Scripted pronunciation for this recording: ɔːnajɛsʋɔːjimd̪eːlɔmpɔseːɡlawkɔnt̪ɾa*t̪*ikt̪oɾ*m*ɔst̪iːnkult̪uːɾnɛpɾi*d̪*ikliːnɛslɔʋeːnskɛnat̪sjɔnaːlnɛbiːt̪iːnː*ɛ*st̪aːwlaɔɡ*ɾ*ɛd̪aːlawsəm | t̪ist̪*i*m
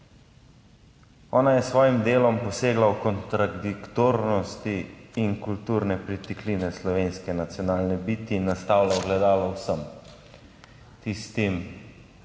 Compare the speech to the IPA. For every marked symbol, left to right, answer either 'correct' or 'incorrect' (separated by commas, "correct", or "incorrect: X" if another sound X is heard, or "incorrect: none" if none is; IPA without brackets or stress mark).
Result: incorrect: d̪, incorrect: n, incorrect: t̪, incorrect: a, incorrect: l, correct